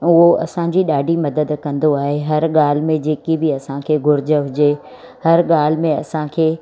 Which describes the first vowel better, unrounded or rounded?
rounded